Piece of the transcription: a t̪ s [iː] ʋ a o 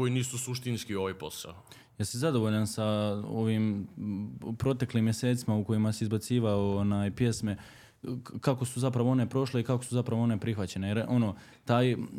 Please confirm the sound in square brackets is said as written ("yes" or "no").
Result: yes